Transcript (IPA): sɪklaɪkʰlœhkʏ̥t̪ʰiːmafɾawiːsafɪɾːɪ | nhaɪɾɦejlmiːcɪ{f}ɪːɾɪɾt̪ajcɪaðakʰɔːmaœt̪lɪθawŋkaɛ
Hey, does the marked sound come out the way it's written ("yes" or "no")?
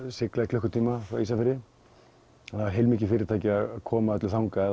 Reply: yes